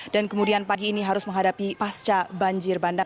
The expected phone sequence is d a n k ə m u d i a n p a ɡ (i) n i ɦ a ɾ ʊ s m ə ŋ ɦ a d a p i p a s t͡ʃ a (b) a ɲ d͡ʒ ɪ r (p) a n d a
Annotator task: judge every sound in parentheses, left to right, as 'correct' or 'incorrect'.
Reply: incorrect: iː, correct, incorrect: b

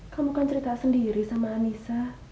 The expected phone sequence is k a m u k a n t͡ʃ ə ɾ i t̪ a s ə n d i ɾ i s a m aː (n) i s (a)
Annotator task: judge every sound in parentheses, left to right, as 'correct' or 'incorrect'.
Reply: correct, correct

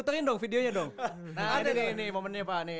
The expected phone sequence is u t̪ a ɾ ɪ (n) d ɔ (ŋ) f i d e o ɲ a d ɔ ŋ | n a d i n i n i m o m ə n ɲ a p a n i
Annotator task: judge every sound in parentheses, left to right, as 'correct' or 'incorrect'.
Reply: correct, correct

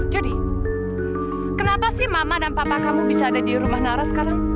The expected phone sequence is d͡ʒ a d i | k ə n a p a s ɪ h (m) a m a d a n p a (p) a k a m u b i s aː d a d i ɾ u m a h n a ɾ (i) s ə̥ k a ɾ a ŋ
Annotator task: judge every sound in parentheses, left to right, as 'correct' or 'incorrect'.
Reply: correct, correct, incorrect: a

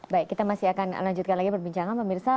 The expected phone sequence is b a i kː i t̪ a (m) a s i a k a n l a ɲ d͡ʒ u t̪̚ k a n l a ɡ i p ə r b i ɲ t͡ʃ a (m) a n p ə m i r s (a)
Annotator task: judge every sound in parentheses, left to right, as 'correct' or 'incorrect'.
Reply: correct, incorrect: ŋ, correct

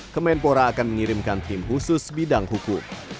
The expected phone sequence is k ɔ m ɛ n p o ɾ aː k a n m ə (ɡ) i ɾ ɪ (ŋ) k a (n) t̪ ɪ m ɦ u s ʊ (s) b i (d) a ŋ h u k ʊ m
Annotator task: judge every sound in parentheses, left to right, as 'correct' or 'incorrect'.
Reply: incorrect: ŋ, incorrect: m, correct, correct, correct

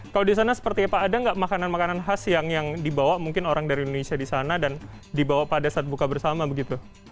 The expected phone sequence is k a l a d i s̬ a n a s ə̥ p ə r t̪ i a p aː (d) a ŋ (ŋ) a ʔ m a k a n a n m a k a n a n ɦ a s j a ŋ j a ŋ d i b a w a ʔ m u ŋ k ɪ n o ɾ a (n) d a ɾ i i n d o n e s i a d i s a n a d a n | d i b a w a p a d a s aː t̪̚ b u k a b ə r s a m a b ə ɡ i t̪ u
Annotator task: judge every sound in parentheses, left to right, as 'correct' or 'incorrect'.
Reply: correct, incorrect: ɡ, incorrect: ŋ

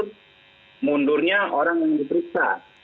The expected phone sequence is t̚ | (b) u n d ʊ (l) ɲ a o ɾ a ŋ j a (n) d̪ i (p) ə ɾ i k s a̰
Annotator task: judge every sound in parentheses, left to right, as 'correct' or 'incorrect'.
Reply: incorrect: m, incorrect: r, incorrect: ŋ, correct

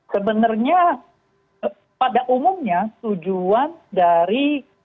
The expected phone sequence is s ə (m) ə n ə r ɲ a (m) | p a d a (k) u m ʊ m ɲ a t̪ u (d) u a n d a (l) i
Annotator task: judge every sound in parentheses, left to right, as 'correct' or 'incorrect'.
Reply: incorrect: b, incorrect: none, incorrect: ʔ, incorrect: d͡ʒ, incorrect: ɾ

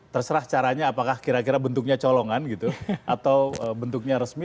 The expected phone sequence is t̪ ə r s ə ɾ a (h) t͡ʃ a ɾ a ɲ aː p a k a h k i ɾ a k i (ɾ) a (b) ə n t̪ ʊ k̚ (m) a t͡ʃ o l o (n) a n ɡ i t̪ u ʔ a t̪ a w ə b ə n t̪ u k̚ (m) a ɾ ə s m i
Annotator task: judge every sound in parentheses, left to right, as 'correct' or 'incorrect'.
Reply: correct, correct, correct, incorrect: ɲ, incorrect: ŋ, incorrect: ɲ

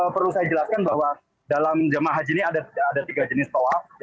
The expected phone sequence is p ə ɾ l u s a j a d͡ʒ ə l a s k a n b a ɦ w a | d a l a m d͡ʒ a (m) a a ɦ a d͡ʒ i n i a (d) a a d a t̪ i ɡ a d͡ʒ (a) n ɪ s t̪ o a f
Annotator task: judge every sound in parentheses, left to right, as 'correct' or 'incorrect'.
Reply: correct, correct, incorrect: ə

